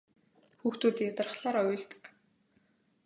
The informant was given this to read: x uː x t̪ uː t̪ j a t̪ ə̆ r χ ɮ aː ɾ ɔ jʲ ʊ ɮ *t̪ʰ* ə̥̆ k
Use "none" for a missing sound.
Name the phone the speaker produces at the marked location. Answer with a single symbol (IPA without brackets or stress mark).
t̪